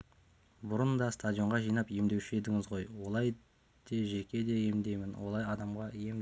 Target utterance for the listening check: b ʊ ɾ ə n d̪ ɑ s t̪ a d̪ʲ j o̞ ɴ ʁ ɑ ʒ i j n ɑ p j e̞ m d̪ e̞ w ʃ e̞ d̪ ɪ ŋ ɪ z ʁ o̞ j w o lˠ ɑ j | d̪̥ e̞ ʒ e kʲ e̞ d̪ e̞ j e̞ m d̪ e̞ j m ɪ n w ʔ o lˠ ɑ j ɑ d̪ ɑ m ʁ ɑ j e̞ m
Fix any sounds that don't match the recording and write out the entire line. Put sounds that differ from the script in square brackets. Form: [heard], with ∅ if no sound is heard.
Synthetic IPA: b ʊ ɾ ə n d̪ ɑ s t̪ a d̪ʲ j o̞ ɴ ʁ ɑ ʒ i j n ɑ p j e̞ m d̪ e̞ w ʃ e̞ d̪ ɪ ŋ ɪ z ʁ o̞ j w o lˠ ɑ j | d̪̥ e̞ ʒ e kʲ e̞ d̪ e̞ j e̞ m d̪ e̞ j m ɪ n w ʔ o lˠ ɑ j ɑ d̪ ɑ m ʁ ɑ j e̞ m